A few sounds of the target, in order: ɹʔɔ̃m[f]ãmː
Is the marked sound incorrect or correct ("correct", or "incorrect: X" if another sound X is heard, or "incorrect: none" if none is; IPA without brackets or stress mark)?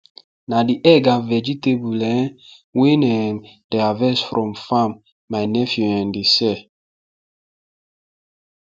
correct